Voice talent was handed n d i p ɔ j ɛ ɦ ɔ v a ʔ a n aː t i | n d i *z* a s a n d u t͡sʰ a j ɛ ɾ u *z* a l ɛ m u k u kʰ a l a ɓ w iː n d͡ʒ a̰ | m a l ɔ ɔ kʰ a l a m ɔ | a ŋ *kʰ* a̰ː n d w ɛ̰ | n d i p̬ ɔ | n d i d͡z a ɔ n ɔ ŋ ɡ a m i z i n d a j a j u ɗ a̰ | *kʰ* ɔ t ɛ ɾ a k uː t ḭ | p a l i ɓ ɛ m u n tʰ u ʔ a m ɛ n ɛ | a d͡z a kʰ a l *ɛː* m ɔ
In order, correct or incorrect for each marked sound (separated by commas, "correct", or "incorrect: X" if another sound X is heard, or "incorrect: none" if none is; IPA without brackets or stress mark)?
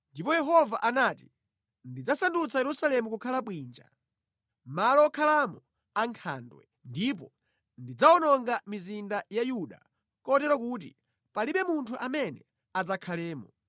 incorrect: d͡z, incorrect: s, correct, incorrect: k, correct